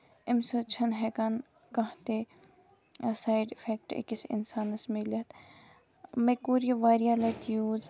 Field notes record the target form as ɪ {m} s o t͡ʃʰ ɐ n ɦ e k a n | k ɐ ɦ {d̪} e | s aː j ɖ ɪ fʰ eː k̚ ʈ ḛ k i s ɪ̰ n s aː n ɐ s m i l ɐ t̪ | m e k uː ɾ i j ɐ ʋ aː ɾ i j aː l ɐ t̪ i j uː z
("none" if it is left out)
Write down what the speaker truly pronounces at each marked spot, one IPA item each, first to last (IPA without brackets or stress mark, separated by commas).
m, t̪